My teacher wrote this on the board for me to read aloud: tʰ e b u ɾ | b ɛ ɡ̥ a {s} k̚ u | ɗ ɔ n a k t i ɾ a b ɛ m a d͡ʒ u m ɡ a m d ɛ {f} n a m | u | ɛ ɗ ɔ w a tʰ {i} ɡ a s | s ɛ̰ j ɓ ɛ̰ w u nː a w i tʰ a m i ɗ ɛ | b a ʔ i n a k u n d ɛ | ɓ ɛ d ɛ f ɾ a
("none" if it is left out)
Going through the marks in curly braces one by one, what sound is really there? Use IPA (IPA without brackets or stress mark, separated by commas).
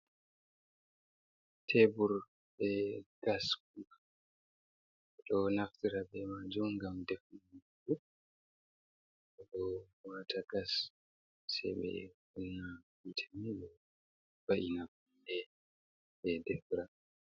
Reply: s, f, a